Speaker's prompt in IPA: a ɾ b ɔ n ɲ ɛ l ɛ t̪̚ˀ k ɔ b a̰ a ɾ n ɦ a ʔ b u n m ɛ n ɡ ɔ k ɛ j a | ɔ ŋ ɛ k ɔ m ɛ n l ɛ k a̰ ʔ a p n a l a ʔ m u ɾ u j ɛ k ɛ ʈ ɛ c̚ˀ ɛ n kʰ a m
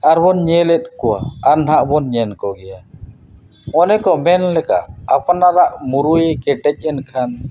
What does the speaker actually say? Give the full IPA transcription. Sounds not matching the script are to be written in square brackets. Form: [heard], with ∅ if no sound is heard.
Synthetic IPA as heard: a ɾ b ɔ n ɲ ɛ l ɛ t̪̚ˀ k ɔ [w] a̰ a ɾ n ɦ a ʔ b [ɔ] n [ɲ] ɛ n [k] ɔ [ɡ] ɛ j a | ɔ [n] ɛ k ɔ m ɛ n l ɛ k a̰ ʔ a p n a [ɾ] a ʔ m u ɾ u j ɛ k ɛ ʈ ɛ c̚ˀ ɛ n kʰ a [n]